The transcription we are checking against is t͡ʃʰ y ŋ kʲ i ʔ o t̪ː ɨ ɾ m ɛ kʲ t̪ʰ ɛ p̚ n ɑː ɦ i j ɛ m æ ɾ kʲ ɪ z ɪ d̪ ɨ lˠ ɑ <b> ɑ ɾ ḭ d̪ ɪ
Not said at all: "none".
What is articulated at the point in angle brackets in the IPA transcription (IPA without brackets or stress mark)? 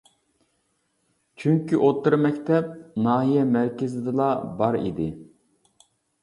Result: b